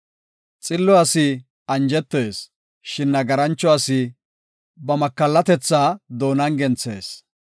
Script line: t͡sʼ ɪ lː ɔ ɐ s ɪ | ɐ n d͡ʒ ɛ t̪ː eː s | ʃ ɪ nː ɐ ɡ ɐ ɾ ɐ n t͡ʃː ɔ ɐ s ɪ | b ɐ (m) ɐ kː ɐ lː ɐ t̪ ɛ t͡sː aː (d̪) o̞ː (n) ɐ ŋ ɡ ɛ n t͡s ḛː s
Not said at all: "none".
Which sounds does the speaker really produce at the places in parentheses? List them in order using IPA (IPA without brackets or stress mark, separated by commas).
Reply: m, d̪, n